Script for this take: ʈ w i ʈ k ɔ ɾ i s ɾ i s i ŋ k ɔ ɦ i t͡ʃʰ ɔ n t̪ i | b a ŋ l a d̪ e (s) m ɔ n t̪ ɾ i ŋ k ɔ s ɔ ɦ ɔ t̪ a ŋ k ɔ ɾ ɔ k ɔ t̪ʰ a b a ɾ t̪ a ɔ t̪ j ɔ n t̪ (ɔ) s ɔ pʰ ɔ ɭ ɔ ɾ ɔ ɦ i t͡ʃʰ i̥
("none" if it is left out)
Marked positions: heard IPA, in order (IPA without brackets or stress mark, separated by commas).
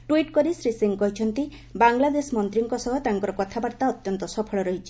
s, ɔ